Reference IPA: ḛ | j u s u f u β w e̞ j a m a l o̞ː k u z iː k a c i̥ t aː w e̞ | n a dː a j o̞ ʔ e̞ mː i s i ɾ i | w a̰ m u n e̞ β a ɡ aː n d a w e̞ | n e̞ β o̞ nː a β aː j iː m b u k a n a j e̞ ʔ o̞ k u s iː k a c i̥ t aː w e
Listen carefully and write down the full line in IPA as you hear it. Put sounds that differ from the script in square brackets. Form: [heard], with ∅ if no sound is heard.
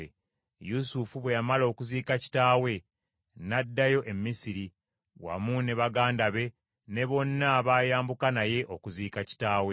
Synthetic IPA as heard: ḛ | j u s u f u β w e̞ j a m a l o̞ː k u z iː k a c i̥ t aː w e̞ | n a dː a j o̞ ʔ e̞ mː i s i ɾ i | w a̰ m u n e̞ β a ɡ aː n d a [β] e̞ | n e̞ β o̞ nː a β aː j [aː] m b u k a n a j e̞ ʔ o̞ k u [z] iː k a c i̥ t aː w e